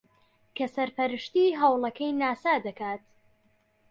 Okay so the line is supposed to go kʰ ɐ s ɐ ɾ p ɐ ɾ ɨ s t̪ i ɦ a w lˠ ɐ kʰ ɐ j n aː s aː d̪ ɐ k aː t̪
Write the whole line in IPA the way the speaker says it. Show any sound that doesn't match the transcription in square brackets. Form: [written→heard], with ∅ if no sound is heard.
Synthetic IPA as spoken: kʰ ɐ s ɐ ɾ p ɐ ɾ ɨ [s→ʃ] t̪ i ɦ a w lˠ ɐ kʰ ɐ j n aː s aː d̪ ɐ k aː t̪